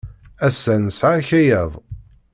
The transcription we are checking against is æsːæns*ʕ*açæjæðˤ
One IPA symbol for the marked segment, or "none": ʕ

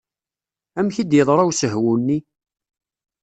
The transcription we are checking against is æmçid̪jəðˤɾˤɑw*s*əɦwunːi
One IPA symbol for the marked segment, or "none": s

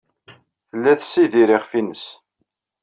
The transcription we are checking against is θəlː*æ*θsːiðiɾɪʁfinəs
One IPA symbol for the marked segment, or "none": æ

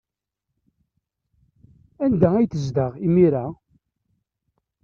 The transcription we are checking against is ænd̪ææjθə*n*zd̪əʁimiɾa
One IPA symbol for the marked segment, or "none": none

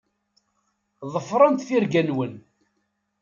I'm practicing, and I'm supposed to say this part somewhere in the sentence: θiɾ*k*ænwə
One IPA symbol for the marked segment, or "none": ɡ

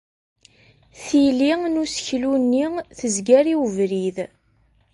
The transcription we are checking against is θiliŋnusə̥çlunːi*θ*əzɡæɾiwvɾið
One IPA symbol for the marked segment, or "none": θ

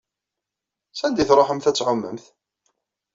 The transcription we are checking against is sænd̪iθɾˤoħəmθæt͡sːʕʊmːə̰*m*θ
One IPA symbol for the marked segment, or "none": m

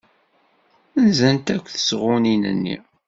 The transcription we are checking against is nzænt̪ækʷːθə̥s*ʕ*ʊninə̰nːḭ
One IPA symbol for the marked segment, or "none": ʁ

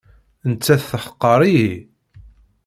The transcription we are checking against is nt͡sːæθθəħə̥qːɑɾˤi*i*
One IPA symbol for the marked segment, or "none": i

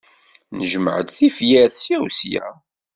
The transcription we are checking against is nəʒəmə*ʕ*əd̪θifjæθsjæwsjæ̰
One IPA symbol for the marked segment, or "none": ʕ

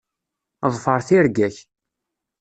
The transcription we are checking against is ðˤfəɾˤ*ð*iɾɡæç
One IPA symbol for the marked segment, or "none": θ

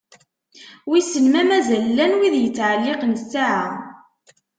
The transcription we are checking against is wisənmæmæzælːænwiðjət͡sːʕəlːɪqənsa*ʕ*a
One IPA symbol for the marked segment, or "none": ʕ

